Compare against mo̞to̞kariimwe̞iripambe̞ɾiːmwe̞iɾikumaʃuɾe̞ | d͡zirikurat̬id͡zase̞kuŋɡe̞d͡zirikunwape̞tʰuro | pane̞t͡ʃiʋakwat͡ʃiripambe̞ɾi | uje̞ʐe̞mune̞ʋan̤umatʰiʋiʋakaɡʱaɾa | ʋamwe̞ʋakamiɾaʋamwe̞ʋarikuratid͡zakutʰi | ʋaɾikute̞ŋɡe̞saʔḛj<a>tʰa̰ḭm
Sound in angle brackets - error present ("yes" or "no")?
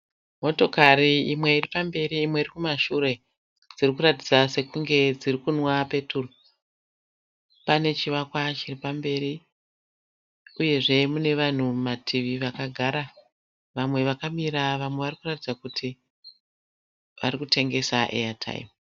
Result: no